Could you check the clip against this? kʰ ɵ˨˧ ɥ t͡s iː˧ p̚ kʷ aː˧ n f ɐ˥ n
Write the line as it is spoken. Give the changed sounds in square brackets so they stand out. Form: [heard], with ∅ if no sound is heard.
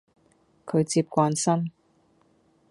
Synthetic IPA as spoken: kʰ ɵ˨˧ ɥ t͡s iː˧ p̚ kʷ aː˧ n [s] ɐ˥ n